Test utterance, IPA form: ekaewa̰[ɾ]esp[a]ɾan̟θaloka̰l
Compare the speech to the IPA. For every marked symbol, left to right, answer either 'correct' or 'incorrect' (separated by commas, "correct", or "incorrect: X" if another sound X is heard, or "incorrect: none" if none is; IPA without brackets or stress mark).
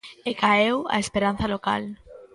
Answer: incorrect: none, incorrect: e